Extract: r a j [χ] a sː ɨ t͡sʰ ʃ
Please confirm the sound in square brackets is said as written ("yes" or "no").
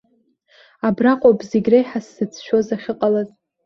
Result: no